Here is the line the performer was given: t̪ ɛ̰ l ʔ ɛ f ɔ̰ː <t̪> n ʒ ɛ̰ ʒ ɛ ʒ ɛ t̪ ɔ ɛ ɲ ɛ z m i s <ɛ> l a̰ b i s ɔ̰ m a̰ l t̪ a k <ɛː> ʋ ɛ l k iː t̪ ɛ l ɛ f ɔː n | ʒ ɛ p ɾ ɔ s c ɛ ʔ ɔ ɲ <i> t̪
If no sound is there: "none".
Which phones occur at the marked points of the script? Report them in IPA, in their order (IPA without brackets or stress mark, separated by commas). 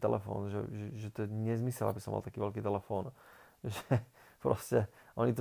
none, ɛ, iː, i